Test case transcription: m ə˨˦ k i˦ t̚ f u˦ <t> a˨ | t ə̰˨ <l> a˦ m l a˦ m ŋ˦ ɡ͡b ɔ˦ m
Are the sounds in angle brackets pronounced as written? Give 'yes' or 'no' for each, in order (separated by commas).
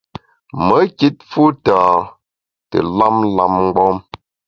yes, yes